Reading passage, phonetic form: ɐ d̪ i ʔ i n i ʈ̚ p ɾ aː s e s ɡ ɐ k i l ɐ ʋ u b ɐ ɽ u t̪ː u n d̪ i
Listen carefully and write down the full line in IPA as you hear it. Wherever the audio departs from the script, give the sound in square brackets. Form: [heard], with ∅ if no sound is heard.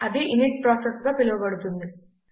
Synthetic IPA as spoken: ɐ d̪ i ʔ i n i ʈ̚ p ɾ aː s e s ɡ ɐ [p] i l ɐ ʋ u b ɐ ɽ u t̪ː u n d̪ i